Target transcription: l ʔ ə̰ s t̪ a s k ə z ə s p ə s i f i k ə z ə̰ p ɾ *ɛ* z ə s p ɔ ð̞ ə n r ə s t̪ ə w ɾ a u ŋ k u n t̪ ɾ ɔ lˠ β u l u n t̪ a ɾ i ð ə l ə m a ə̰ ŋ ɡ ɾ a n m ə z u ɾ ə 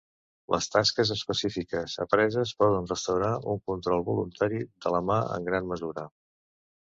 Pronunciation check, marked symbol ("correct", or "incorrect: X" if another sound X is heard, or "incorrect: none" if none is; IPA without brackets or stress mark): correct